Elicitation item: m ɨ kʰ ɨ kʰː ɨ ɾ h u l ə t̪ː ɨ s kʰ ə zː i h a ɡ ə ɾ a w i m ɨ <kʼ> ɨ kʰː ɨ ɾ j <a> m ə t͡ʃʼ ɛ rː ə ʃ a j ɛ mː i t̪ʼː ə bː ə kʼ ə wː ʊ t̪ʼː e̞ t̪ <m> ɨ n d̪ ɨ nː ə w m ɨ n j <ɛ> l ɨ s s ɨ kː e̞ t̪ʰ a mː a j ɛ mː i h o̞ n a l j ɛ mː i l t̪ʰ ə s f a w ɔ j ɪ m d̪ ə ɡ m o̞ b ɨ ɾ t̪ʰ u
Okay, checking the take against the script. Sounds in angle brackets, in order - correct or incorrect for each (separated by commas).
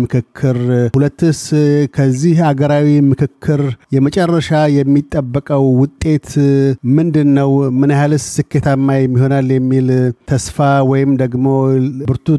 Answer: incorrect, incorrect, correct, incorrect